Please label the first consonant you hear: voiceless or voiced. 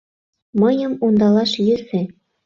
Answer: voiced